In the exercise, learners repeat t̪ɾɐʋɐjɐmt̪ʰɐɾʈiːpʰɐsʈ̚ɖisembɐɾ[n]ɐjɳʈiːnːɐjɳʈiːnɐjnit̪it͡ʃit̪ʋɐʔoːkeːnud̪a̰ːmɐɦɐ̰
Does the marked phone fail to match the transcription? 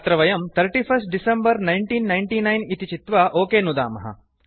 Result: no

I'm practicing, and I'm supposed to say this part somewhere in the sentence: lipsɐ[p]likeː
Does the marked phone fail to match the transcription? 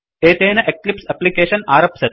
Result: no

